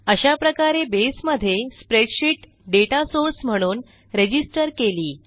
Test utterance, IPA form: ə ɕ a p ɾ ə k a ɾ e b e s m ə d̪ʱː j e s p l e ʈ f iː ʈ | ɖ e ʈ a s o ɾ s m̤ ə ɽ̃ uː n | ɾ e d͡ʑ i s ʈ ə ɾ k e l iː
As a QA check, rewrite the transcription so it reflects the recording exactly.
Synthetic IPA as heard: ə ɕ a p ɾ ə k a ɾ e b e s m ə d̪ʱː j e s p ɾ e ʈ ɕ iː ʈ | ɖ e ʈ a s o ɾ s m̤ ə ɽ̃ uː n | ɾ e d͡ʑ i s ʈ ə ɾ k e l iː

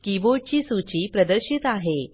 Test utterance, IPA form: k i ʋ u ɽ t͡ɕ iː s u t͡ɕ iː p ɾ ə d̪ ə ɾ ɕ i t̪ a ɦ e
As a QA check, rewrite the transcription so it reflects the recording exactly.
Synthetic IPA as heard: k i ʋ o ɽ t͡ɕ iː s u t͡ɕ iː p ɾ ə d̪ ə ɾ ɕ i t̪ a ɦ e

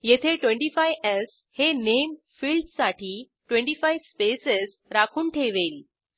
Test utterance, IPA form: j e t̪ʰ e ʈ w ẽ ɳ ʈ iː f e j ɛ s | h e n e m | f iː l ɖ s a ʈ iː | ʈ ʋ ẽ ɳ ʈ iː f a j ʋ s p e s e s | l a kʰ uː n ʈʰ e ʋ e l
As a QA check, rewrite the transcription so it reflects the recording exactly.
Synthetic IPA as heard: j e t̪ʰ e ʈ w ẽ ɳ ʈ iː f a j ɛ s | h e n e m | f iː l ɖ s a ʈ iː | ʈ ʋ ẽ ɳ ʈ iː f a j ʋ s p e s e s | ɾ a kʰ uː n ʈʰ e ʋ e l

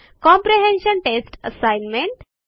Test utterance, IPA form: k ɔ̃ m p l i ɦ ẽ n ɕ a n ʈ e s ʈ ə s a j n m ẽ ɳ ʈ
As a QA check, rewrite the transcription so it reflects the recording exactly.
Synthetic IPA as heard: k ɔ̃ m p ɾ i ɦ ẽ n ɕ ə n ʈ e s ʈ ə s a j n m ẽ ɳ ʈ

